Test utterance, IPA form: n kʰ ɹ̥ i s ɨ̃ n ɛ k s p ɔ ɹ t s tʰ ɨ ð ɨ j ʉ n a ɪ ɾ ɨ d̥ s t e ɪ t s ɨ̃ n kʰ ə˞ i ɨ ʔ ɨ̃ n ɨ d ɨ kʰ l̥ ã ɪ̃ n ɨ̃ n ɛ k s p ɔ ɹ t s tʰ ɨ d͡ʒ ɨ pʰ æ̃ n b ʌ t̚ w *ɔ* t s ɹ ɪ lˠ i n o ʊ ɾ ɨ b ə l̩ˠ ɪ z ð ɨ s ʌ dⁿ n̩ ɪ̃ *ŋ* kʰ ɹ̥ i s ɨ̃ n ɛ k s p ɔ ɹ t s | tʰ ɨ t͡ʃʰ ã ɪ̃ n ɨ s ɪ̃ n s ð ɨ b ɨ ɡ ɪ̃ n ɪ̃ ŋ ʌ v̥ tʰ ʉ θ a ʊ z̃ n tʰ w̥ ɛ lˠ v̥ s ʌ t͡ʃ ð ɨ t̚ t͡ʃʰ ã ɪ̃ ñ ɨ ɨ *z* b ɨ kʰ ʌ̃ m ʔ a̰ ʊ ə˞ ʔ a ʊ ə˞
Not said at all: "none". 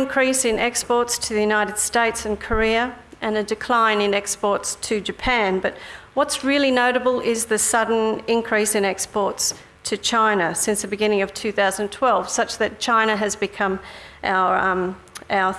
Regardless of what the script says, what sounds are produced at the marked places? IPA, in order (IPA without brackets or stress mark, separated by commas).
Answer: ʌ, n, z